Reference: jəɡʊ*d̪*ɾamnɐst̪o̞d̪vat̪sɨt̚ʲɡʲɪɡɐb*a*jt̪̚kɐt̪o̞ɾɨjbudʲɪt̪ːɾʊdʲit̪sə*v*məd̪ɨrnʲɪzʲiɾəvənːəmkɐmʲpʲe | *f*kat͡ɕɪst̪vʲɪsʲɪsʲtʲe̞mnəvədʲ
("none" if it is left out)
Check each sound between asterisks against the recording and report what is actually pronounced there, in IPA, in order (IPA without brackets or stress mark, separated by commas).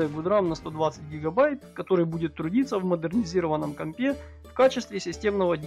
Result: d̪, a, v, f